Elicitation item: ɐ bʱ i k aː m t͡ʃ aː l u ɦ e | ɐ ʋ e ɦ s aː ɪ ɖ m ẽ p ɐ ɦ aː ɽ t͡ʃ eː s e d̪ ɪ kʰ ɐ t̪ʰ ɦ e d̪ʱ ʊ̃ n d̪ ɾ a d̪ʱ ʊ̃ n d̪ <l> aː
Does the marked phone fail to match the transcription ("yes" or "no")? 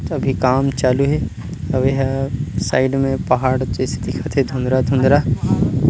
yes